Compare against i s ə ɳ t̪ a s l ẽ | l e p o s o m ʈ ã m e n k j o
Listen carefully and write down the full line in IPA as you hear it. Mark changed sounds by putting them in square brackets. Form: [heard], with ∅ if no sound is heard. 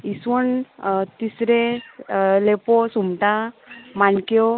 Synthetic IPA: i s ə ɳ t̪ [i] s [ɾ] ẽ | l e p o s [u] m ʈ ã m [a] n k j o